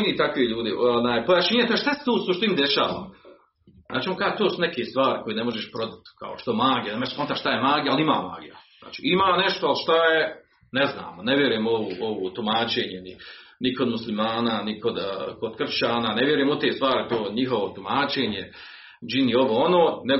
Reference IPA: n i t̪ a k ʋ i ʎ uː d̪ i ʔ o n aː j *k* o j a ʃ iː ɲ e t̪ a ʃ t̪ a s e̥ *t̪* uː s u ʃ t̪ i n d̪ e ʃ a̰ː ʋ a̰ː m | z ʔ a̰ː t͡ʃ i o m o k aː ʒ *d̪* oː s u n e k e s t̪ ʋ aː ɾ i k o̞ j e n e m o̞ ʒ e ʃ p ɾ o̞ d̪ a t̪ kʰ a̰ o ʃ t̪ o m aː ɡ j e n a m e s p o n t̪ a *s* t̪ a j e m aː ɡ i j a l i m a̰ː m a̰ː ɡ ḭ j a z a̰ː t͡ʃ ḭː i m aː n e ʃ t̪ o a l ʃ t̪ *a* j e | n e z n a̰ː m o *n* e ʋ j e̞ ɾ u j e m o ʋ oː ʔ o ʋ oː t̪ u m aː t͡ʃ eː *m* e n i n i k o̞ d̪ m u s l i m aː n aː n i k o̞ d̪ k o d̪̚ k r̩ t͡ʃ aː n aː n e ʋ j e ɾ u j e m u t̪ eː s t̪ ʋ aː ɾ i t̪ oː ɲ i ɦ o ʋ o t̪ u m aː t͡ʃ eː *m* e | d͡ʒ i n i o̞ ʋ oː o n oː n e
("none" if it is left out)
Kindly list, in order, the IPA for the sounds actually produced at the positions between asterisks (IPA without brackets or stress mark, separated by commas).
p, t̪, t̪, ʃ, a, n, ɲ, ɲ